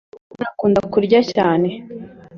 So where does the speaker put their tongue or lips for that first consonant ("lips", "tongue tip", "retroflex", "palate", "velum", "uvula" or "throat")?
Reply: tongue tip